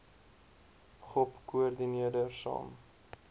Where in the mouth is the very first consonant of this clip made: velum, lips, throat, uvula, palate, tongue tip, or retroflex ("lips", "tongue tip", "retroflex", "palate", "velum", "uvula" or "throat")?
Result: uvula